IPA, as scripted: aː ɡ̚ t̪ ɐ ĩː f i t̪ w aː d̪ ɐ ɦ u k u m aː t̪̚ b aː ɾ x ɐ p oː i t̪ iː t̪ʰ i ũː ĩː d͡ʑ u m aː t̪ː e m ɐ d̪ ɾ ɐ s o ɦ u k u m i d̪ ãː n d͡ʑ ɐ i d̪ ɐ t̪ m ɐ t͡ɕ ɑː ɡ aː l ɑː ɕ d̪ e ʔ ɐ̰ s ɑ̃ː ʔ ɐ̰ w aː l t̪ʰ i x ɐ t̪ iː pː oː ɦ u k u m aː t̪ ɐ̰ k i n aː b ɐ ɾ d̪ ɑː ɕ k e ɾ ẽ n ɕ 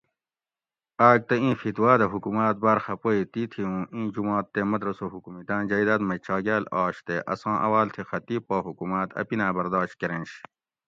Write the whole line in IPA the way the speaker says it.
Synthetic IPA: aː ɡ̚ t̪ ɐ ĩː f i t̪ w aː d̪ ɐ ɦ u k u m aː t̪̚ b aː ɾ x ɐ p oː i t̪ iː t̪ʰ i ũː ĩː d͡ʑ u m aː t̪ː e m ɐ d̪ ɾ ɐ s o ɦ u k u m i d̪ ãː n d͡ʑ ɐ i d̪ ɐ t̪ m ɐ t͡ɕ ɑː ɡ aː l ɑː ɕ t̪ e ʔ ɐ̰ s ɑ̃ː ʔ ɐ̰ w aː l t̪ʰ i x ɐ t̪ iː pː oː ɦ u k u m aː t̪ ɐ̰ p i n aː b ɐ ɾ d̪ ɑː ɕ k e ɾ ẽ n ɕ